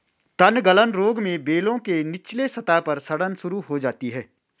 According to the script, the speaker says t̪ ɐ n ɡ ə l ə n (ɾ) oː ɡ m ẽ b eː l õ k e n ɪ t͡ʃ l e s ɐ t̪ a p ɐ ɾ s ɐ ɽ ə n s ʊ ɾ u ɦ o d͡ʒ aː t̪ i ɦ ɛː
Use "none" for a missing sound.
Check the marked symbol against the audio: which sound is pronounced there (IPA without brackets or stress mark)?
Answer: ɾ